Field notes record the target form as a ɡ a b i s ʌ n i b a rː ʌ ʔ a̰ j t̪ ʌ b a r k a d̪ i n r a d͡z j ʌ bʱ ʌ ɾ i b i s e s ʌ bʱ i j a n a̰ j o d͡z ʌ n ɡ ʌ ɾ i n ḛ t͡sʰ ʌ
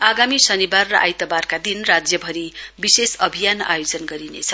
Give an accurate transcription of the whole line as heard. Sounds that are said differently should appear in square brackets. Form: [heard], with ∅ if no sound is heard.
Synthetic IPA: a ɡ a [m] i s ʌ n i b a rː ʌ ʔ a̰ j t̪ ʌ b a r k a d̪ i n r a d͡z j ʌ bʱ ʌ ɾ i b i s e s ʌ bʱ i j a n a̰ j o d͡z ʌ n ɡ ʌ ɾ i n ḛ t͡sʰ ʌ